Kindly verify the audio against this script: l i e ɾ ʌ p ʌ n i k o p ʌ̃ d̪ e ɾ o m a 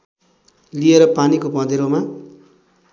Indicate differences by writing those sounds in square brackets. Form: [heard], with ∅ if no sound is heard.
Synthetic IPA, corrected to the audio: l i e ɾ ʌ p [a] n i k o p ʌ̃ d̪ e ɾ o m a